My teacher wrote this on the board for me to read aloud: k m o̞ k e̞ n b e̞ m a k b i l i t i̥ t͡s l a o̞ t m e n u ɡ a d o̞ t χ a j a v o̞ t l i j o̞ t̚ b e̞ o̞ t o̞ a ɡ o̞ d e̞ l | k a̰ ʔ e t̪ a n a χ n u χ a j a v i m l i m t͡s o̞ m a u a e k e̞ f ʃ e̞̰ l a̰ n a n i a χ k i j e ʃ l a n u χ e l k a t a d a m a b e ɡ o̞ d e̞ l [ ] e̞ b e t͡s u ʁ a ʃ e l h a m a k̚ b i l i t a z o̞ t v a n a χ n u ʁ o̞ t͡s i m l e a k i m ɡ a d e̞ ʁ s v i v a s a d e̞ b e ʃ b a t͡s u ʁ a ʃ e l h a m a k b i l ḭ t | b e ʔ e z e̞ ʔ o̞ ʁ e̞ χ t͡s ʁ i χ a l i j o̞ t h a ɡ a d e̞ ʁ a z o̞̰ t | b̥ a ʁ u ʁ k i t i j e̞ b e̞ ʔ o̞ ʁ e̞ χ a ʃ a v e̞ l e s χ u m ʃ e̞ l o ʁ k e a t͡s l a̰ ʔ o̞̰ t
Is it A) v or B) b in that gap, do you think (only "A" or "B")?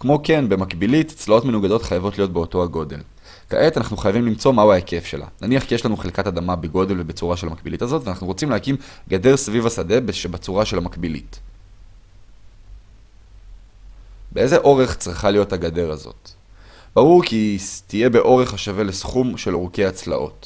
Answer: A